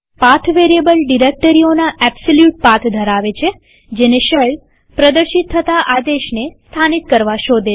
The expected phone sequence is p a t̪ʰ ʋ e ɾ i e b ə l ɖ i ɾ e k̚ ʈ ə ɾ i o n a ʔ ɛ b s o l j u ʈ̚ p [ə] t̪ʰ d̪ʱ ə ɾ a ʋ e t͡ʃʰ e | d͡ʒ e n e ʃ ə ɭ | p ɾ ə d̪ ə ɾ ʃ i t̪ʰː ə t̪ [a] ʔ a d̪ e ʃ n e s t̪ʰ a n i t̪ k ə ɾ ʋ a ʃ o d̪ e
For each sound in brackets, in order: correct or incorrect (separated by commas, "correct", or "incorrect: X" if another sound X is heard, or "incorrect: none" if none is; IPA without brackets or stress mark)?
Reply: incorrect: a, correct